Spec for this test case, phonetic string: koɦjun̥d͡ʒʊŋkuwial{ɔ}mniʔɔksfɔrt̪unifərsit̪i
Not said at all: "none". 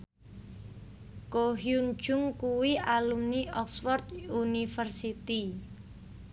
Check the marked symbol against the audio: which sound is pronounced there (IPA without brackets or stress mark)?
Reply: u